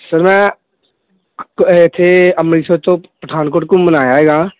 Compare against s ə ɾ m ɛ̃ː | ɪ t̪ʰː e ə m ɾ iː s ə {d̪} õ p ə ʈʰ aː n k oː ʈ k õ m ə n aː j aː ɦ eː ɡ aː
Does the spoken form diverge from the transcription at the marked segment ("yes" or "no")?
yes